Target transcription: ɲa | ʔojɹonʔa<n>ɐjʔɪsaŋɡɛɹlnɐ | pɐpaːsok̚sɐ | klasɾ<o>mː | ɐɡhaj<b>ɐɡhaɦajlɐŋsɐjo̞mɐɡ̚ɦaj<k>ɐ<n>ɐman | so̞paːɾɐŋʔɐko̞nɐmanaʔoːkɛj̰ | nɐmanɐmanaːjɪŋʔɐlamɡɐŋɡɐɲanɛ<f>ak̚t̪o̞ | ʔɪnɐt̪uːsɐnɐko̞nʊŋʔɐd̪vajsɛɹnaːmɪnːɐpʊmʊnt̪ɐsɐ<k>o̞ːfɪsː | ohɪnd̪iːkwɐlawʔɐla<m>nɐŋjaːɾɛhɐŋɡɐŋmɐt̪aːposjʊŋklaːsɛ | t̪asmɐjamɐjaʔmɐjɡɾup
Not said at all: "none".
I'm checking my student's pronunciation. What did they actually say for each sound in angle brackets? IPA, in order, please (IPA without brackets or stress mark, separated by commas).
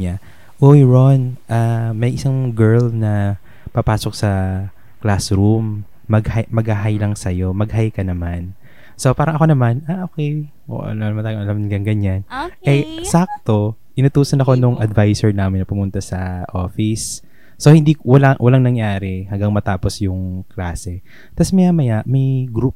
m, u, m, k, n, s, ʔ, ŋ